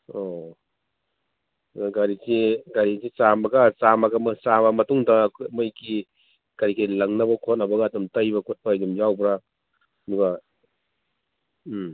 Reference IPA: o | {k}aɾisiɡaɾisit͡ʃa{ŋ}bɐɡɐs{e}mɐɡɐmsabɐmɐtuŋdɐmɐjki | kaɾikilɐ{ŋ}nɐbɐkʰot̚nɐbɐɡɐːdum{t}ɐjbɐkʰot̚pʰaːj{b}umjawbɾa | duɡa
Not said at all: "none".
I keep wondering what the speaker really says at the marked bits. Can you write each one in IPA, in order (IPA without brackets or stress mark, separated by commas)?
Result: ɡ, m, a, ŋ, t, d